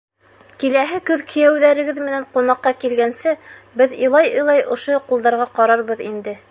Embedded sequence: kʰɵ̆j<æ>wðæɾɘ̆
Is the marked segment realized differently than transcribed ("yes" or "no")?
no